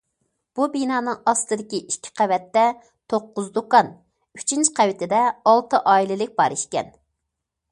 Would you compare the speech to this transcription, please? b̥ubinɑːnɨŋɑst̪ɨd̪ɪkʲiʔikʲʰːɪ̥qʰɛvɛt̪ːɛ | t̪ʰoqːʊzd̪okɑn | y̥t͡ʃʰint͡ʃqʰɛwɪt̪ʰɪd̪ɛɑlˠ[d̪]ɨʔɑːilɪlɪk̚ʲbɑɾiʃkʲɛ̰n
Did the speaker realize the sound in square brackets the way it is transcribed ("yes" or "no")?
no